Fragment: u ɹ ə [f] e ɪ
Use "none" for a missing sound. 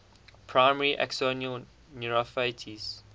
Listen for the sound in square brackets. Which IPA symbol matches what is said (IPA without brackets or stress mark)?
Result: f